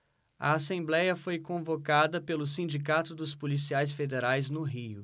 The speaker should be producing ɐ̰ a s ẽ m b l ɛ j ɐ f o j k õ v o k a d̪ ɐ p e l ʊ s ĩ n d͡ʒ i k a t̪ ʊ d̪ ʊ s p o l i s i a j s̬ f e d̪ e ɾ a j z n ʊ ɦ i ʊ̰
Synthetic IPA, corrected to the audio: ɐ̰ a s ẽ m b l ɛ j ɐ f o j k õ v o k a d̪ ɐ p e l ʊ s ĩ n d͡ʒ i k a t̪ ʊ d̪ ʊ s p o l i s i a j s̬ f e d̪ e ɾ a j z n ʊ ɦ i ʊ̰